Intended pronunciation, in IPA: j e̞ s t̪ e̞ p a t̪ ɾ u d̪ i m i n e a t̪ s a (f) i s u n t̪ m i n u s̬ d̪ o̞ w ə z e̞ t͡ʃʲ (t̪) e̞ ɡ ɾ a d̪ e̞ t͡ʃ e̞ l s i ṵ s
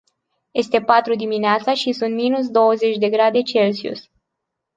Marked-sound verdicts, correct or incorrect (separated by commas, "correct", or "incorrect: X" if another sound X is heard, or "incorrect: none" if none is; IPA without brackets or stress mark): incorrect: ʃ, incorrect: d̪